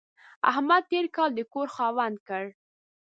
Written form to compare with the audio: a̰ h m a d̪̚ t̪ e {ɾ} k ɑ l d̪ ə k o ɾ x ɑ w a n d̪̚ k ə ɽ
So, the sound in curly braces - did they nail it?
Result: yes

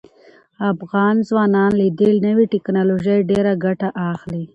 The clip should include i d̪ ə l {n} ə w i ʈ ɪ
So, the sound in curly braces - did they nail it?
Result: yes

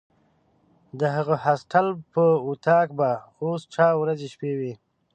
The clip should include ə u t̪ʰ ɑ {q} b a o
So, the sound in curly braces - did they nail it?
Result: no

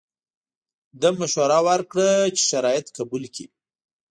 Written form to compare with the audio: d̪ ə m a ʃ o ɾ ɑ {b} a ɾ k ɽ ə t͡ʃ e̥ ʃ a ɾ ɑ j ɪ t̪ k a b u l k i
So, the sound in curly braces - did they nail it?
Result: no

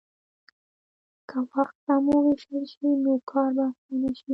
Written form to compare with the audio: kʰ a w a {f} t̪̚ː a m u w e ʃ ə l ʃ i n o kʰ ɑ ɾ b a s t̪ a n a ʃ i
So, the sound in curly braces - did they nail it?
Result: no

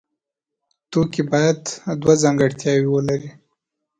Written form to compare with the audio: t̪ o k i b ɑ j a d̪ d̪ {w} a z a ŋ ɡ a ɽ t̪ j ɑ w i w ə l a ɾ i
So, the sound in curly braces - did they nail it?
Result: yes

